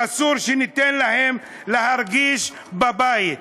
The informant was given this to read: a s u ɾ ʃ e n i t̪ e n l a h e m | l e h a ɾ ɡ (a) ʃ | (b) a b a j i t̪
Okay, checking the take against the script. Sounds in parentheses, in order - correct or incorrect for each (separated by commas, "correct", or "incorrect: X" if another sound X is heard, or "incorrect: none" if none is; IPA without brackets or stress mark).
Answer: incorrect: i, correct